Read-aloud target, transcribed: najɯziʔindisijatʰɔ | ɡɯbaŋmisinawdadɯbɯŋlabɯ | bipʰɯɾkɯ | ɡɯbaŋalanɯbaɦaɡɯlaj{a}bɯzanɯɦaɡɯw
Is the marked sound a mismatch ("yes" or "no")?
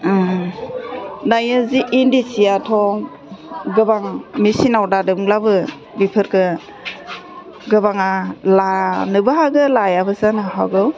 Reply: no